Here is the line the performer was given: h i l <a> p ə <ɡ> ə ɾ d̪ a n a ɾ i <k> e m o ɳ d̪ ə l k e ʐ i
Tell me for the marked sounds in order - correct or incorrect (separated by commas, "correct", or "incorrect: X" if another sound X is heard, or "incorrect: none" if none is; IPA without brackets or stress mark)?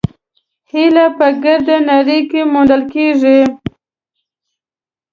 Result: correct, correct, correct